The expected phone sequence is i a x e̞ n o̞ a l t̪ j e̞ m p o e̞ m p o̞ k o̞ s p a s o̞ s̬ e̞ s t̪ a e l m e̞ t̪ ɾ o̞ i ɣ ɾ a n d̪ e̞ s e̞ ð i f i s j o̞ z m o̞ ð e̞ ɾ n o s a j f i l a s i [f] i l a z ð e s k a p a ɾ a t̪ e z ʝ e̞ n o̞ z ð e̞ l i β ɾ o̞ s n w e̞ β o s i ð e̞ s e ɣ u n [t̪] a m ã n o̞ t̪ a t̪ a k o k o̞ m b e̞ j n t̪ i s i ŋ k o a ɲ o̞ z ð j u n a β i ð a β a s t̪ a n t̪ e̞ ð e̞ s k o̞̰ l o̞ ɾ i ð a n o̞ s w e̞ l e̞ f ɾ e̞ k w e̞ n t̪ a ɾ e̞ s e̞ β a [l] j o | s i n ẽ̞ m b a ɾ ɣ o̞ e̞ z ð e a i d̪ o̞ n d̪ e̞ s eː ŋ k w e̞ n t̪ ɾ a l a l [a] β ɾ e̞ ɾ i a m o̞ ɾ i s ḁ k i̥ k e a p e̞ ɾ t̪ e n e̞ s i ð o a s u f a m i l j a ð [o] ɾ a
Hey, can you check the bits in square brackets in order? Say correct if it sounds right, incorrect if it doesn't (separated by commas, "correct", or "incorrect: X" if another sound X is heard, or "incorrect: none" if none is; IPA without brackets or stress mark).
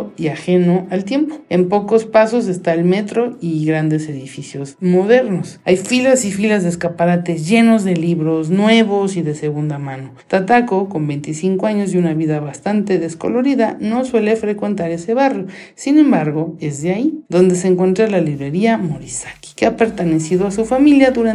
correct, incorrect: d̪, incorrect: r, incorrect: i, incorrect: u